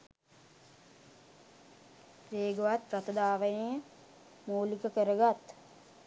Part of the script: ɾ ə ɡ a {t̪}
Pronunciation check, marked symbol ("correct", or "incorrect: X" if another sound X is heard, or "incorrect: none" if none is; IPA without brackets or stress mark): correct